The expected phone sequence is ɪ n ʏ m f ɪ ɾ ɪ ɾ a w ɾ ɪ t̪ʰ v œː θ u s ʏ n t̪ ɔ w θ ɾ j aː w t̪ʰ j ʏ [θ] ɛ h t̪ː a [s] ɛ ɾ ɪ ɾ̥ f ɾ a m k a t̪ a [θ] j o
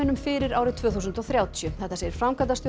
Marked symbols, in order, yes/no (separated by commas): yes, yes, no